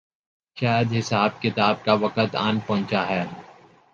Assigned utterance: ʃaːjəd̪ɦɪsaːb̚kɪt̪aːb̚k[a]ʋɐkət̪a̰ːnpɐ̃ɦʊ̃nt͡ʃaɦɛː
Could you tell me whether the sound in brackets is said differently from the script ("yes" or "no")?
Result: no